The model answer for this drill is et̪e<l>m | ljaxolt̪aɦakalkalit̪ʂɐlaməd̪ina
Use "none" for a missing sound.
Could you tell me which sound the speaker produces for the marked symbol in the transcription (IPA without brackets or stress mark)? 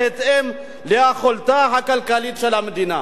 none